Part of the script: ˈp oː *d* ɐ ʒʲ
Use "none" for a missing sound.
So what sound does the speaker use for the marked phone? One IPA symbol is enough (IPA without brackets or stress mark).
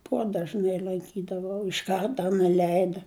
d